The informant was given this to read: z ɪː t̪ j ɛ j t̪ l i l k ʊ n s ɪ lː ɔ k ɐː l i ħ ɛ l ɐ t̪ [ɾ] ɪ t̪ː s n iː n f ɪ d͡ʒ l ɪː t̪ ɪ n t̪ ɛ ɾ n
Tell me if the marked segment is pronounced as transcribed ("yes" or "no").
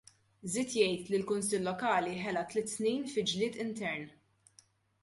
no